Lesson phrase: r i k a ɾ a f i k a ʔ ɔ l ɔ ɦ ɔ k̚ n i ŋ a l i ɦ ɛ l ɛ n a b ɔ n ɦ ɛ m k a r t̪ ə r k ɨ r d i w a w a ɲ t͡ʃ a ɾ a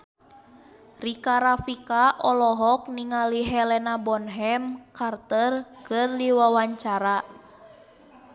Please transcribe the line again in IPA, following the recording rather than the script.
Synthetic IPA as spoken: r i k a ɾ a f i k a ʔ ɔ l ɔ ɦ ɔ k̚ n i ŋ a l i ɦ ɛ l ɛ n a b ɔ n ɦ ɛ m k a r t̪ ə r k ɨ r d i w a w a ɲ t͡ʃ a ɾ a